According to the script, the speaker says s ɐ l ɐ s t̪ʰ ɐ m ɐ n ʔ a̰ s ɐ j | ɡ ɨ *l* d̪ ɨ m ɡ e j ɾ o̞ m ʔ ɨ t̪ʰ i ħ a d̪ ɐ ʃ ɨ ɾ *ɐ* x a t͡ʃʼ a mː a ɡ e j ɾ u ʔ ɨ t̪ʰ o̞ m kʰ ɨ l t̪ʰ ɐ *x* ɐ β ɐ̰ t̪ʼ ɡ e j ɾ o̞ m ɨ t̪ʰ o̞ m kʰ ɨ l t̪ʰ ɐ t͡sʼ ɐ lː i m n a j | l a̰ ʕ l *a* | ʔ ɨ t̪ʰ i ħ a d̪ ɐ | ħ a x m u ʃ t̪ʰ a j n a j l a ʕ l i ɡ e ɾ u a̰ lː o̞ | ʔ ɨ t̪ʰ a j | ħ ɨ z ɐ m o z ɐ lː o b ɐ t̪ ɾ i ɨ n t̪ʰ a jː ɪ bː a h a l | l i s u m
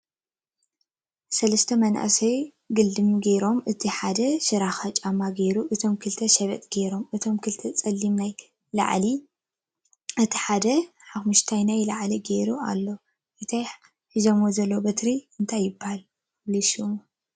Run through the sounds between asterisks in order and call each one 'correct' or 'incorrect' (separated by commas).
correct, incorrect, incorrect, incorrect